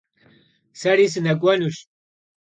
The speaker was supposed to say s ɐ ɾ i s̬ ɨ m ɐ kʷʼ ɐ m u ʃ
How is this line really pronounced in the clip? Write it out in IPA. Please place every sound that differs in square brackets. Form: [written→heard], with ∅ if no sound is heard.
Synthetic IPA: s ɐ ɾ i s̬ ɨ [m→n] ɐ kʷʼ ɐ [m→n] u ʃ